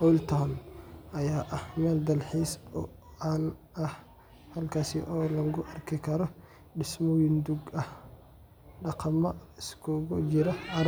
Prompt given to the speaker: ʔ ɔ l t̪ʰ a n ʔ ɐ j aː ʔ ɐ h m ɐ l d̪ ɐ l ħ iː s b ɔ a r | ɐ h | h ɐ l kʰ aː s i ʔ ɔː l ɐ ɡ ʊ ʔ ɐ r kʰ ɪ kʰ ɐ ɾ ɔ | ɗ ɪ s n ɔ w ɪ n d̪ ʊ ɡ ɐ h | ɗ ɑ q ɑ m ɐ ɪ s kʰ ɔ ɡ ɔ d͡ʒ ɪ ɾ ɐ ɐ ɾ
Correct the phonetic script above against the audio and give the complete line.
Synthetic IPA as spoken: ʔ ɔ l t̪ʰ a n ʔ ɐ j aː ʔ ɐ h m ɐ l d̪ ɐ l ħ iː s b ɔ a l | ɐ h | h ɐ l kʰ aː s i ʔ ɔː l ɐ ɡ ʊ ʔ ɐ r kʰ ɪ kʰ ɐ ɾ ɔ | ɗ ɪ s m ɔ w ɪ n d̪ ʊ ɡ ɐ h | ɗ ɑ q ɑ m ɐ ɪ s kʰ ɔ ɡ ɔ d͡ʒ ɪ ɾ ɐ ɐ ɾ